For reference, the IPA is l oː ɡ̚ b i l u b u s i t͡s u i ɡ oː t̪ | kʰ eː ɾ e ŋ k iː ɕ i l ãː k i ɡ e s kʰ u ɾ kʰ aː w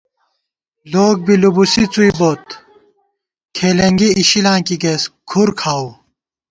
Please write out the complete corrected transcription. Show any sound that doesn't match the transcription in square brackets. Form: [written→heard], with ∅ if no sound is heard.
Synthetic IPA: l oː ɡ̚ b i l u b u s i t͡s u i [ɡ→b] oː t̪ | kʰ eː [ɾ→l] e ŋ [k→ɡ] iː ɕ i l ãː k i ɡ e s kʰ u ɾ kʰ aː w